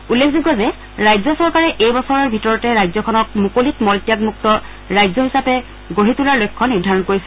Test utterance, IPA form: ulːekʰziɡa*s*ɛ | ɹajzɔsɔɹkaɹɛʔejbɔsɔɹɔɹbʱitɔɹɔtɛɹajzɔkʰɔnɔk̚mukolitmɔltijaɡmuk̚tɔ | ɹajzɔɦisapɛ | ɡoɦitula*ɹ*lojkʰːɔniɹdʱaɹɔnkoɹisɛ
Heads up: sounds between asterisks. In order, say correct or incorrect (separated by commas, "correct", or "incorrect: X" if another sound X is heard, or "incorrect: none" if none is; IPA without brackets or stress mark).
incorrect: z, correct